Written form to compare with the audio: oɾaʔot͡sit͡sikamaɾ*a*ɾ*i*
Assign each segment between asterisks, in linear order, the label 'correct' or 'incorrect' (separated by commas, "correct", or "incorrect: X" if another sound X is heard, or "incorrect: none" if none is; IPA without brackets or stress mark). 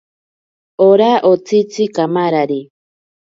correct, correct